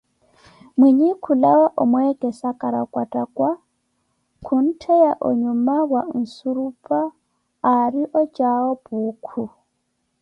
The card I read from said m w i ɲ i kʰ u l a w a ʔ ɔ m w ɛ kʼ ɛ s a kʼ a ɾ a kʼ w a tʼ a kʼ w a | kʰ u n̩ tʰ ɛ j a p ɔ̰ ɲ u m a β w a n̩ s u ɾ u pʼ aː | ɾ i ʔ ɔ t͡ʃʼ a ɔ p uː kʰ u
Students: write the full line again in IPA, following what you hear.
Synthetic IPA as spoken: m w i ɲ i kʰ u l a w a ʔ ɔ m w ɛ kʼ ɛ s a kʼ a ɾ a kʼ w a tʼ a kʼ w a | kʰ u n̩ tʰ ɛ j a ʔ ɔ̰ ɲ u m a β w a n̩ s u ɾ u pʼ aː | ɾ i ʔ ɔ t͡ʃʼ a ɔ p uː kʰ u